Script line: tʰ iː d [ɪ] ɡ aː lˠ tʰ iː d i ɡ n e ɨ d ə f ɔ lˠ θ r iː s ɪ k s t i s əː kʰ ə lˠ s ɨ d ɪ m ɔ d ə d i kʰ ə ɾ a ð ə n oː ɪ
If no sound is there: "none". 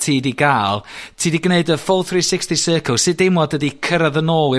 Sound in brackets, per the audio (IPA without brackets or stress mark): i